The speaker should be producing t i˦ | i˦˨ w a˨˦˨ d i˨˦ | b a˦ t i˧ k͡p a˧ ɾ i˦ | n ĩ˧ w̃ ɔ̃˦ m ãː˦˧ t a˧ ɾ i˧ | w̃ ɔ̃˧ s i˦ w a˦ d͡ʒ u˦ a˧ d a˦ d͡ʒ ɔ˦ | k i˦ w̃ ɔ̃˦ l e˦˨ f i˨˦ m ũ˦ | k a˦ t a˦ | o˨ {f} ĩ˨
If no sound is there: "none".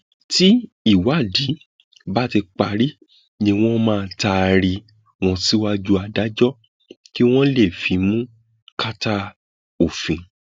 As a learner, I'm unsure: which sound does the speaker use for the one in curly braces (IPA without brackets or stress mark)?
f